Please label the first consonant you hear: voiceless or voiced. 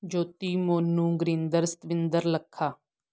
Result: voiced